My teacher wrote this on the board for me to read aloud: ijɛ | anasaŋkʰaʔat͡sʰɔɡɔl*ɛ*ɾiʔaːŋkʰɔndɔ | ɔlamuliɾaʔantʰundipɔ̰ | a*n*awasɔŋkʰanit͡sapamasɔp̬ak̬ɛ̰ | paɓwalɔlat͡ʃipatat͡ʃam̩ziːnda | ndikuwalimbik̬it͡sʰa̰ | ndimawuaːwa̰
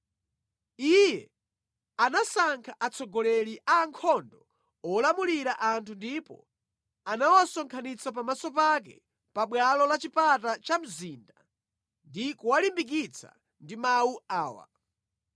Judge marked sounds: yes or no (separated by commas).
yes, yes